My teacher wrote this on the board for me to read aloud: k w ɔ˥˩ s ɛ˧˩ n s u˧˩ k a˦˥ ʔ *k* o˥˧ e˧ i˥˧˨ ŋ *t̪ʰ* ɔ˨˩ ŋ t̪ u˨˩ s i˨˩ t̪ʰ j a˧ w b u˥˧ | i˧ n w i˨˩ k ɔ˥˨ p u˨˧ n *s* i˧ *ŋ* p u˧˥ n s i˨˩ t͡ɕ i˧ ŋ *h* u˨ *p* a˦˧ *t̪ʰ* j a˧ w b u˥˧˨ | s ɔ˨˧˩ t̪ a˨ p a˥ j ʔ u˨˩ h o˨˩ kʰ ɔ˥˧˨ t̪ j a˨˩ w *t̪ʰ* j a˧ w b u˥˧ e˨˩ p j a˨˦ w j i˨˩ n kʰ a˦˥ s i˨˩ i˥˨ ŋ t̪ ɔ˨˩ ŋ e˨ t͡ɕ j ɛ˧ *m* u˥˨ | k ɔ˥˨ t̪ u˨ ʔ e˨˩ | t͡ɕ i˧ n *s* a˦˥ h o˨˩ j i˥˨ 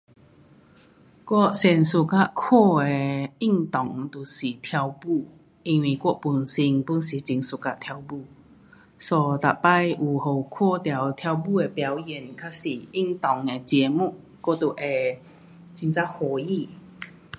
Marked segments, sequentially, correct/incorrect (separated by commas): incorrect, incorrect, correct, correct, incorrect, incorrect, correct, correct, correct, incorrect